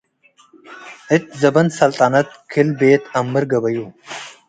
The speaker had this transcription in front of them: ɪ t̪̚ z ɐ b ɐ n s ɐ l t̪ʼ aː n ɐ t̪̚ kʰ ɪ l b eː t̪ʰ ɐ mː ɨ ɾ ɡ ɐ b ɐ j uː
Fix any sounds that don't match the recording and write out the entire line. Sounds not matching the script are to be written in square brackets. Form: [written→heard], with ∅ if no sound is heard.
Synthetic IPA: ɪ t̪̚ z ɐ b ɐ n s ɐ l t̪ʼ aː n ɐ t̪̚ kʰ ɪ l b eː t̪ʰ ɐ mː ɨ ɾ ɡ ɐ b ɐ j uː